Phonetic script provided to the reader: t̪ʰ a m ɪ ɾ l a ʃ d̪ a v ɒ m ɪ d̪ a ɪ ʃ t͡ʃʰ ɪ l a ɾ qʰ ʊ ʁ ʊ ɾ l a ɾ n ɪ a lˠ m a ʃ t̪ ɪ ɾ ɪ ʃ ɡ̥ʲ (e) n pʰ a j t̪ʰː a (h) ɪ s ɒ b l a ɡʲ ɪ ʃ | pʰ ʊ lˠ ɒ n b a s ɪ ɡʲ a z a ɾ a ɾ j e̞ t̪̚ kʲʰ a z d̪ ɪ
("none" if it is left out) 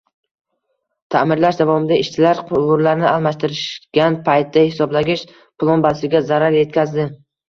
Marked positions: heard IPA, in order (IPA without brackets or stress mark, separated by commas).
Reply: a, h